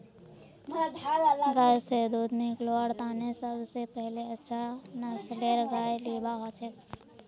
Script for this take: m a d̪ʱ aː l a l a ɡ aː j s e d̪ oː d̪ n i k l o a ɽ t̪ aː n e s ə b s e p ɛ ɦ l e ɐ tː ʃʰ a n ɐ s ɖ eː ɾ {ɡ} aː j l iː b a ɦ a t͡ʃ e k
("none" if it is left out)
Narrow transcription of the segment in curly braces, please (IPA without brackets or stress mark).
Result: ɡ